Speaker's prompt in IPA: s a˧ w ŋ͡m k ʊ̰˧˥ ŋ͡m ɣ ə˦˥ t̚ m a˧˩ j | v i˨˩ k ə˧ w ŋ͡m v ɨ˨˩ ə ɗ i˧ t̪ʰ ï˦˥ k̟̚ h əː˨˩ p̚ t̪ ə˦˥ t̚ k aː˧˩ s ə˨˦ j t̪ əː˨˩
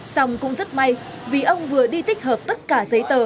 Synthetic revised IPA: s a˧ w ŋ͡m k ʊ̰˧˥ ŋ͡m z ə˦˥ t̚ m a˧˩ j | v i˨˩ ʔ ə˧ w ŋ͡m v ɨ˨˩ ə ɗ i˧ t̪ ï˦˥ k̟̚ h əː˨˩ p̚ t̪ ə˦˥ t̚ k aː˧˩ z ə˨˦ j t̪ əː˨˩